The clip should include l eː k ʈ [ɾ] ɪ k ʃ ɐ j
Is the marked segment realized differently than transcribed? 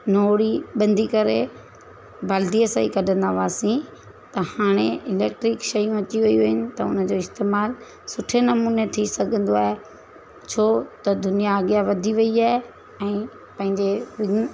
no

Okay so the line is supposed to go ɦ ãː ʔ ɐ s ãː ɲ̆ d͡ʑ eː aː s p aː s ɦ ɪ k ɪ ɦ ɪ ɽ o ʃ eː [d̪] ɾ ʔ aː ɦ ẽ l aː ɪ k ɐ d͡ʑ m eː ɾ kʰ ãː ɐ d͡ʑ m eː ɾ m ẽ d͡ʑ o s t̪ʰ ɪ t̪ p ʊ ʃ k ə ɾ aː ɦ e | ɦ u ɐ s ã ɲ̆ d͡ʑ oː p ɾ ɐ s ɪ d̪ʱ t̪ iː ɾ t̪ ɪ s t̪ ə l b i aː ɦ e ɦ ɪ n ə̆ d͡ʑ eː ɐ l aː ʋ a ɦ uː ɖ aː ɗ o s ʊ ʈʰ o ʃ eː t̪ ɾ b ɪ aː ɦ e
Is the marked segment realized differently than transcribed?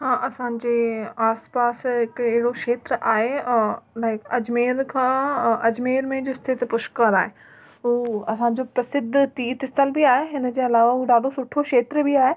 yes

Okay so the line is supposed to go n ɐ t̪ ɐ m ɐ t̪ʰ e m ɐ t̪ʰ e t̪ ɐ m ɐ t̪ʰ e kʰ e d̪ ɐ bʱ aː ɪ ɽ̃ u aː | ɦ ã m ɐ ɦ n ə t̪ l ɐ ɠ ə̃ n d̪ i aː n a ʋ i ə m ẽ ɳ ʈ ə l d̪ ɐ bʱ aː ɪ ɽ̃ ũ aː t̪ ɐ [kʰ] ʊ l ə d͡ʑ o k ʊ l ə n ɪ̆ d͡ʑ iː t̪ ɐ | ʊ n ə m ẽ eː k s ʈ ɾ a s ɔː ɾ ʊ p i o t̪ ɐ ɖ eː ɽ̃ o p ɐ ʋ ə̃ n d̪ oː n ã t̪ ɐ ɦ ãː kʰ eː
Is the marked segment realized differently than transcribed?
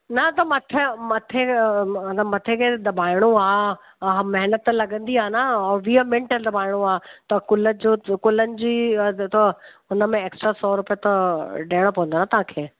yes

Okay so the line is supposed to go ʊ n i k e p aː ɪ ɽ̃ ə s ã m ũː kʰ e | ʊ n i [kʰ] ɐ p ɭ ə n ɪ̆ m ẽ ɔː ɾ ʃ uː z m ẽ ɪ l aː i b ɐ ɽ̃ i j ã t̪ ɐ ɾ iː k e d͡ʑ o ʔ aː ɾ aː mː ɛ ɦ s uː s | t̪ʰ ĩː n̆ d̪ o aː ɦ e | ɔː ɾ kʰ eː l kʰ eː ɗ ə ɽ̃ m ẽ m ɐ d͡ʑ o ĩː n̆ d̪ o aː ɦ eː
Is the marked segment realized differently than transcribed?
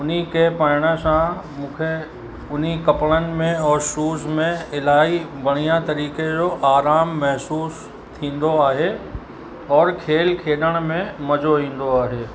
yes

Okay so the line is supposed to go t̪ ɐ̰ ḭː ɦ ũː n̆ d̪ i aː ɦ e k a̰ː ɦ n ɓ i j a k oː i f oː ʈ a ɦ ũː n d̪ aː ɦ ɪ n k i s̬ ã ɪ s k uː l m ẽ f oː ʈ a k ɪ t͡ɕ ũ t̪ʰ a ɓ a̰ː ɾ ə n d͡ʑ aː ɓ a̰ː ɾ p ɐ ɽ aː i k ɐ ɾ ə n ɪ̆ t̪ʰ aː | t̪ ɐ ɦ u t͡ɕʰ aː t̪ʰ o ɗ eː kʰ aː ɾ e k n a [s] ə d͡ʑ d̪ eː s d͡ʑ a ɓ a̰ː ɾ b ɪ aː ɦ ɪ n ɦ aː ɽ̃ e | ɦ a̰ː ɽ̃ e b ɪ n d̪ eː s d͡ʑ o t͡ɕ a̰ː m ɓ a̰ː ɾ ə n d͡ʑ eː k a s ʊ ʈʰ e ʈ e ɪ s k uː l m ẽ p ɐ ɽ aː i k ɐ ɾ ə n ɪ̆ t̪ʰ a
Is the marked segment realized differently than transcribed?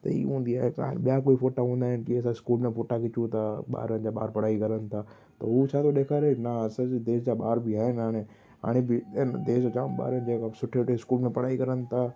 no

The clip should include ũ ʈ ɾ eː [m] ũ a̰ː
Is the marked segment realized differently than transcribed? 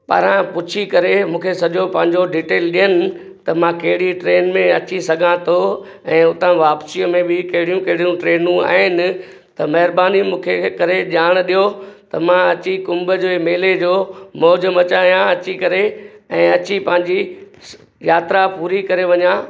yes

